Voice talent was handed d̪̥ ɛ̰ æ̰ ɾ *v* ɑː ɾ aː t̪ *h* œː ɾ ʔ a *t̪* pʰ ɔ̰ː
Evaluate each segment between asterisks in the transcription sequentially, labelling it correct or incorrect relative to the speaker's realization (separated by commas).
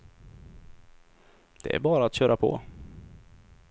incorrect, incorrect, incorrect